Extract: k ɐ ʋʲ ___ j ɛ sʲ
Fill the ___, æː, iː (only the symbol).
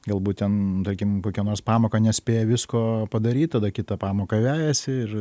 æː